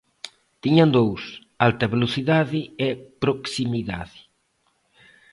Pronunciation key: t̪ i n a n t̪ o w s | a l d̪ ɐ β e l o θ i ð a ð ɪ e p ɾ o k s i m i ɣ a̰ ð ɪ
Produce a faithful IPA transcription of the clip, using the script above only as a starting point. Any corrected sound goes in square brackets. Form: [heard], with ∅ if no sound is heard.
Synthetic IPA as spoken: t̪ i [ɲ] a n [d̪] o w s | a l [t̪] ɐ β e l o θ i ð a ð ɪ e p ɾ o k s i m i [ð] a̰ ð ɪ